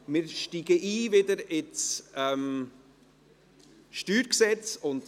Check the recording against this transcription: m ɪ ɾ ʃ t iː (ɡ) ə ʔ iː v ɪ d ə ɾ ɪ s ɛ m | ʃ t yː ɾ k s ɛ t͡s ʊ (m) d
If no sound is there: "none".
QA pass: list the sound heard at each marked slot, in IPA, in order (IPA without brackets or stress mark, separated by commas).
ɡ, n